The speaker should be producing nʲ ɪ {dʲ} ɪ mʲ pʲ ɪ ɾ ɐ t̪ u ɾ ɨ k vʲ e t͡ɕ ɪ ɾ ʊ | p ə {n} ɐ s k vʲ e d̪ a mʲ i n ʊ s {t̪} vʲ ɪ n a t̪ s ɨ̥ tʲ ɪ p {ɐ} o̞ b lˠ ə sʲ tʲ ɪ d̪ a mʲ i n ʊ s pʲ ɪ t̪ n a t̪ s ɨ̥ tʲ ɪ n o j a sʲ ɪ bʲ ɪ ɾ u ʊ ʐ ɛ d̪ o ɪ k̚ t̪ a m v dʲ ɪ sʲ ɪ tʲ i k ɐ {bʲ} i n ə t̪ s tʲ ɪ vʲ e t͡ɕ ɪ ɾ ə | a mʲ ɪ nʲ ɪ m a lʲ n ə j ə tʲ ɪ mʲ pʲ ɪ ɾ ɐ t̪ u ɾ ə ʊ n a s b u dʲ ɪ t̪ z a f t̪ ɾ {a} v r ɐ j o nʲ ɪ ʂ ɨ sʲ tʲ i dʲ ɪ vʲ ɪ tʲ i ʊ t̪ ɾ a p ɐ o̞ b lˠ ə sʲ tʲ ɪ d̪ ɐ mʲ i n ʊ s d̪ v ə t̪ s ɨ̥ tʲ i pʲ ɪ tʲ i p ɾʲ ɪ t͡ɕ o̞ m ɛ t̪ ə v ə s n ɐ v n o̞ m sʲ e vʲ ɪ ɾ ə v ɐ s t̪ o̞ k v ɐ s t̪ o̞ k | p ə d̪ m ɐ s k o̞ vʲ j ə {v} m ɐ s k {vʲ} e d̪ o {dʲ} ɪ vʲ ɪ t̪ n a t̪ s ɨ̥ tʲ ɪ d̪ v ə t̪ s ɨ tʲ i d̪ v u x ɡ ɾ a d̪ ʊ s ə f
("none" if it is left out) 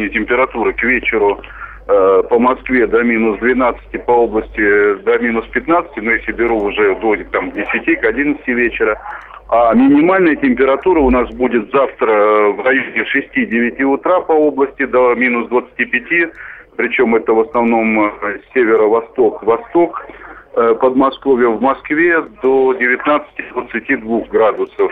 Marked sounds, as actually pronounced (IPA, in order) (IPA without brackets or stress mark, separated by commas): tʲ, m, d̪, ɐ, dʲ, ə, v, vʲ, dʲ